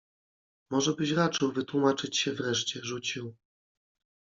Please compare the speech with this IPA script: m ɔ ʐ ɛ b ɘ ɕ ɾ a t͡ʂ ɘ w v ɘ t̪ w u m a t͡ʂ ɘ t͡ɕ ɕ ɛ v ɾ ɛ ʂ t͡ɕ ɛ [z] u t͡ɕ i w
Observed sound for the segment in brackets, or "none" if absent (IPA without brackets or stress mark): ʐ